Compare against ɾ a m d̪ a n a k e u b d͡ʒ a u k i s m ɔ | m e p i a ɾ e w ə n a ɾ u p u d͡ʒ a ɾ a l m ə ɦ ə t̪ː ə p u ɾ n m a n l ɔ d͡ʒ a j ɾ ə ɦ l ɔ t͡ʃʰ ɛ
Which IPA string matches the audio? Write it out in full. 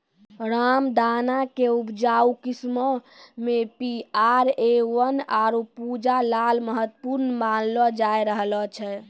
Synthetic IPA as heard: ɾ a m d̪ a n a k e u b d͡ʒ a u k i s m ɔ | m e p i a ɾ e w ə n a ɾ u p u d͡ʒ a l a l m ə ɦ ə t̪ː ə p u ɾ n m a n l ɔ d͡ʒ a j ɾ ə ɦ l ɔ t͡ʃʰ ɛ